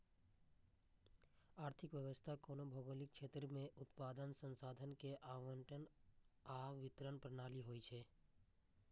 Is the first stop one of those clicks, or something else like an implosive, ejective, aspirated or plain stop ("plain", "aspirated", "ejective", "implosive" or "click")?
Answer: aspirated